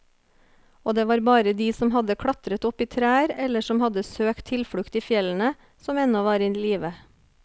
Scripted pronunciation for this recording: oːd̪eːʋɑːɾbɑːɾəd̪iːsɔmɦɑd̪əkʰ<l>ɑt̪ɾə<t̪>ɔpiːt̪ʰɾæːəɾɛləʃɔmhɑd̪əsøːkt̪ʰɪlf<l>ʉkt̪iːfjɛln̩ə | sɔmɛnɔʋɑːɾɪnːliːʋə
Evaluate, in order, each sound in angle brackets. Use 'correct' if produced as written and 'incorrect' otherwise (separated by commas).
incorrect, correct, incorrect